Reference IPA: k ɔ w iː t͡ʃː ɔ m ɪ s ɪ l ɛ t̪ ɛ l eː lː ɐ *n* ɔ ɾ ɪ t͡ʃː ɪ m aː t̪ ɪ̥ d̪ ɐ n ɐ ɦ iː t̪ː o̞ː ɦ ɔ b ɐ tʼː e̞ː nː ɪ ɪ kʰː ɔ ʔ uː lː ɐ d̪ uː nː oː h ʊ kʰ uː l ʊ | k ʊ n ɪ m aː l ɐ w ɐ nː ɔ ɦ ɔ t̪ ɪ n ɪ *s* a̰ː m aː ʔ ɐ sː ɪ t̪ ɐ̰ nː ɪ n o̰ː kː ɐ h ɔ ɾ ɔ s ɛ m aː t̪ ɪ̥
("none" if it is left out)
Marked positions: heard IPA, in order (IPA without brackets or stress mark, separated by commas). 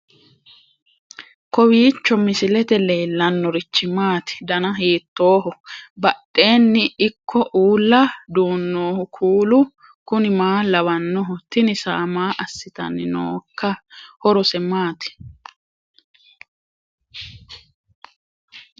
nː, s